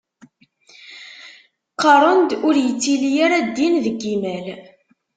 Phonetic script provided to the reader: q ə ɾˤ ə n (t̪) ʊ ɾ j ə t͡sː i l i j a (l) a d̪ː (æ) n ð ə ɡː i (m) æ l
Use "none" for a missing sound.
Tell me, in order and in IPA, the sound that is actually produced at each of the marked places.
d̪, ɾ, i, m

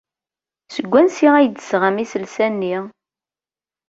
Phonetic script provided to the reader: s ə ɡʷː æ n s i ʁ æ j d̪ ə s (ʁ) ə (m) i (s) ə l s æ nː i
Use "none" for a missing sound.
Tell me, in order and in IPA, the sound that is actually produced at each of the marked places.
ʁ, m, s

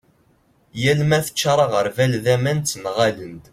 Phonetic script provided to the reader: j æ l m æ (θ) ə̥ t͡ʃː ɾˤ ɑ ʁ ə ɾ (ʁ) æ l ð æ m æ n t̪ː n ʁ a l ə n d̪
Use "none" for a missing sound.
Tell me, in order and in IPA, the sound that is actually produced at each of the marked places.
θ, v

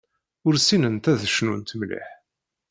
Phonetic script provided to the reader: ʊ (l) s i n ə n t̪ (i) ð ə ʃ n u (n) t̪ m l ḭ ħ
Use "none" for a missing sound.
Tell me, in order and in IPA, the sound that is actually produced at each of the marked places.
ɾ, æ, n

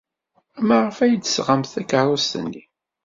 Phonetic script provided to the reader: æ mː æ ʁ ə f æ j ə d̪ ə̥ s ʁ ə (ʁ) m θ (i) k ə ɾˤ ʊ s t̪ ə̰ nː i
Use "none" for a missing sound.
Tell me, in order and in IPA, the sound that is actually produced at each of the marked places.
none, æ

